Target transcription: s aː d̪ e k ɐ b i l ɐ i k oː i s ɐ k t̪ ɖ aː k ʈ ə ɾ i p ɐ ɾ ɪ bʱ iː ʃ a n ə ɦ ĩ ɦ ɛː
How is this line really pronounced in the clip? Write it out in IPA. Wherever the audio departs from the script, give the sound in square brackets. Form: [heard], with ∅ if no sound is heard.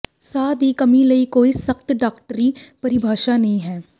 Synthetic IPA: s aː d̪ [i] k ɐ [m] i l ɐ i k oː i s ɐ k t̪ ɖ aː k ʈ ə ɾ i p ɐ ɾ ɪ bʱ [aː] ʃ a n [ɐ] ɦ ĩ ɦ ɛː